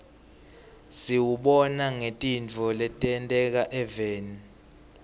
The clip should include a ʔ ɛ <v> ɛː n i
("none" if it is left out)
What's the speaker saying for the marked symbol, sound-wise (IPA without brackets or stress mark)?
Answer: v